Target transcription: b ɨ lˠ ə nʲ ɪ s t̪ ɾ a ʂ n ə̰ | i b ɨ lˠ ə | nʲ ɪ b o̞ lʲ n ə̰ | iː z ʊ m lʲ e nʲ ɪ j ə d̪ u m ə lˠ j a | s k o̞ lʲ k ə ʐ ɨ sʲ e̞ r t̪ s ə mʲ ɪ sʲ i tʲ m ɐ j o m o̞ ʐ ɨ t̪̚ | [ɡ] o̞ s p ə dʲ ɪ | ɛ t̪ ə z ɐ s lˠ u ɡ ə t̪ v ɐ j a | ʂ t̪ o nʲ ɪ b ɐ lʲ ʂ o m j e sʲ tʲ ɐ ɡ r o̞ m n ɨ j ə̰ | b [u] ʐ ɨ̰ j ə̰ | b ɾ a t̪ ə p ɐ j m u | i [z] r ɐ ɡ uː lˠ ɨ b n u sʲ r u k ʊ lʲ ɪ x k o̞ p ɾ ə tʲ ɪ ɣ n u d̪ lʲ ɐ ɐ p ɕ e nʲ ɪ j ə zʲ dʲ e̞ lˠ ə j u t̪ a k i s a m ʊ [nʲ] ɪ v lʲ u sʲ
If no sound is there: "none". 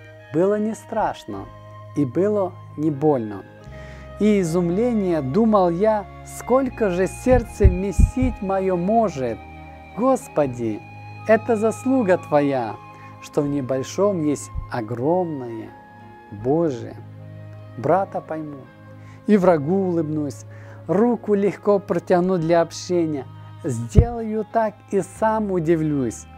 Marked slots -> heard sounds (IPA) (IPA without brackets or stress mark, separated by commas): ɡ, o, v, dʲ